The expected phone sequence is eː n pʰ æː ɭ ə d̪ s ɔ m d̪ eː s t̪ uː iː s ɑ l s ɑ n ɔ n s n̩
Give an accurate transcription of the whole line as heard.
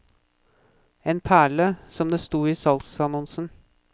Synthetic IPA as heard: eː n pʰ æː ɭ ə s ɔ m d̪ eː s t̪ uː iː s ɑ l s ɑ n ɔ n s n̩